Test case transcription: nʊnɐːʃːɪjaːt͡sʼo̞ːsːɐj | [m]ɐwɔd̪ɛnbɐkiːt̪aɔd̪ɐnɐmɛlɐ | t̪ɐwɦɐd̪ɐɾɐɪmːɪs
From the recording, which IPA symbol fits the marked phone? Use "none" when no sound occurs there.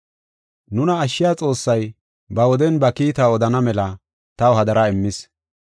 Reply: b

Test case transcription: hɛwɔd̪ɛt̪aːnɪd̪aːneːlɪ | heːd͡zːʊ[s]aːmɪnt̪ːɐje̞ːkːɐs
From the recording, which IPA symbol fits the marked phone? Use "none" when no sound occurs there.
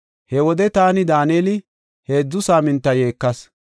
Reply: s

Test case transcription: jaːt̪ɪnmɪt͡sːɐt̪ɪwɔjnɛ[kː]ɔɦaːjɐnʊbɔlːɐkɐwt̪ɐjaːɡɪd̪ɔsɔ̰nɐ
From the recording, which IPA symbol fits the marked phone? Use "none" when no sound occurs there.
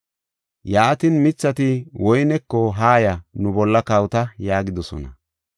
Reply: kː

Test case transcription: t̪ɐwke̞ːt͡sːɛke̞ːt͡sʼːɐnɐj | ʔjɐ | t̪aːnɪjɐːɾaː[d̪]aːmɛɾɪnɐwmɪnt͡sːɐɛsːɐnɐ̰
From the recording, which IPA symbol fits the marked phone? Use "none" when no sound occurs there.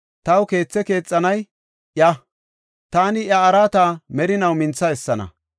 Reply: t̪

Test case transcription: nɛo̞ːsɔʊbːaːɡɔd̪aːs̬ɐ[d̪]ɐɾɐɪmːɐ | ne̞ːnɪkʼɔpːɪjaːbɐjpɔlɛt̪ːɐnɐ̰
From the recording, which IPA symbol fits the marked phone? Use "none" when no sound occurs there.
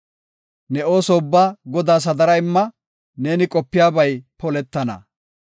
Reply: d̪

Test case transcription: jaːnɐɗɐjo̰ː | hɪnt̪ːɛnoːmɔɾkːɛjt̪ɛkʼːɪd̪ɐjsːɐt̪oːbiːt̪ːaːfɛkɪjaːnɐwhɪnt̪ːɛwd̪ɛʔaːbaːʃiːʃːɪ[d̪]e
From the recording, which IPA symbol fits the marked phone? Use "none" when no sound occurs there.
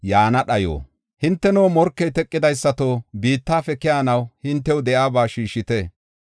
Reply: t̪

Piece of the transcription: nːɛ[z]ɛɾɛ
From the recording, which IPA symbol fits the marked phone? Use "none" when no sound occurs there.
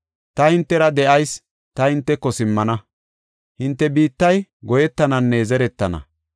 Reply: z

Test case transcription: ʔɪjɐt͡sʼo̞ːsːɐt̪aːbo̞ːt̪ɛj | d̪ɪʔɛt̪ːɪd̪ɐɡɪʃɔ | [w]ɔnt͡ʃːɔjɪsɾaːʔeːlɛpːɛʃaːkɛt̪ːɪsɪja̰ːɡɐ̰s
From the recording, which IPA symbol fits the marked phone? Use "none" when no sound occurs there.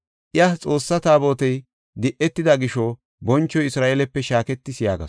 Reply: b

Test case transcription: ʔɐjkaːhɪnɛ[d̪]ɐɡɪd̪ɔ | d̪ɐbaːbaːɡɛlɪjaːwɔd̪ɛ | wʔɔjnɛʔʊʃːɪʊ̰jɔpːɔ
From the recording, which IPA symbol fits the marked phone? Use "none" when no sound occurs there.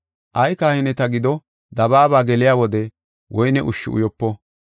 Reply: t̪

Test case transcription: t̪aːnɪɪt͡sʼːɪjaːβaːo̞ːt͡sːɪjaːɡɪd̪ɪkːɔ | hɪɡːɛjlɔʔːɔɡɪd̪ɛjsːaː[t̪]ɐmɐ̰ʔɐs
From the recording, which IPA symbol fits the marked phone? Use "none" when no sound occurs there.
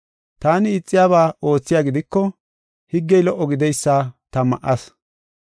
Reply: t̪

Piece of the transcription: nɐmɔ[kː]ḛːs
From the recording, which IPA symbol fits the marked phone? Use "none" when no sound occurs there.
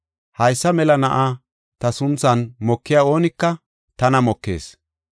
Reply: kː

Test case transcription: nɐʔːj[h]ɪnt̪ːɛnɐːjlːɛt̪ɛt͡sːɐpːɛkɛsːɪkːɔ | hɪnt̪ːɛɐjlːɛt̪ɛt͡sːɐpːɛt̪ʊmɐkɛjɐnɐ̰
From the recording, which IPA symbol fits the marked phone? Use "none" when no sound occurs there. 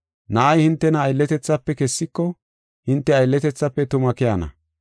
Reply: h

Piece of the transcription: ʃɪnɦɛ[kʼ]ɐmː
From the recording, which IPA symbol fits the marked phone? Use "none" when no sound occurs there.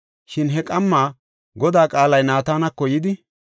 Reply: kʼ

